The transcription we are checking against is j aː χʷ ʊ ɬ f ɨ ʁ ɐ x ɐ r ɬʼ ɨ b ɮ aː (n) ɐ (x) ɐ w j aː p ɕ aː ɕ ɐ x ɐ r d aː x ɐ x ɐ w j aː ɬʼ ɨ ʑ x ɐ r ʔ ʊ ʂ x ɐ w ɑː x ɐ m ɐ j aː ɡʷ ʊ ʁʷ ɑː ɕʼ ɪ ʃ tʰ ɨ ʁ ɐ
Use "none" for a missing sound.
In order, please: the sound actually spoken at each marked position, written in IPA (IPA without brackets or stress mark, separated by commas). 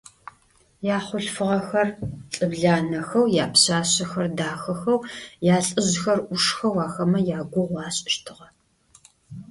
n, x